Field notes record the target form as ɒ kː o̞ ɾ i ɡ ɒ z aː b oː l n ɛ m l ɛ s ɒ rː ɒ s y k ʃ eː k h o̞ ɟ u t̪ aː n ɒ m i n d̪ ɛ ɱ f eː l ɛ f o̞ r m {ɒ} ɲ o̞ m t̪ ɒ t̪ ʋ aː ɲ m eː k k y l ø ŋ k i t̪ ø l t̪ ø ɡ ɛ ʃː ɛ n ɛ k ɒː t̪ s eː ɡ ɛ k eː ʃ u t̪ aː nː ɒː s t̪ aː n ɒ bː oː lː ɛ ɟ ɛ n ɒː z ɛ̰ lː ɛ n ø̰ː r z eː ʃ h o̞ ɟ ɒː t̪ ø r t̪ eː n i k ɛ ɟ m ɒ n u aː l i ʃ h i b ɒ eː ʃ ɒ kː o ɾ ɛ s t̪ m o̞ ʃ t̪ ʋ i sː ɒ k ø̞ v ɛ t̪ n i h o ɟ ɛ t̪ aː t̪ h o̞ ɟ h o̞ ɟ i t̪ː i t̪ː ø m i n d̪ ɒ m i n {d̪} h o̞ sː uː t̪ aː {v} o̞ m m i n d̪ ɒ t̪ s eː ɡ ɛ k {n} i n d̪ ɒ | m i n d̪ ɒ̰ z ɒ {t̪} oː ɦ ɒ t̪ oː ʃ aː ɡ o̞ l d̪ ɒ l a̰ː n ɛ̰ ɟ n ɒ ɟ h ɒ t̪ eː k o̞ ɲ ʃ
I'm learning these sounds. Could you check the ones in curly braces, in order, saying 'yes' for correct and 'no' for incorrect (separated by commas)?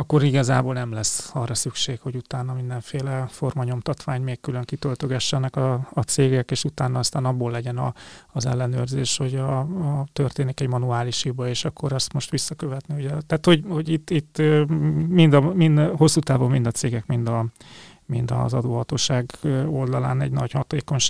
yes, yes, yes, no, no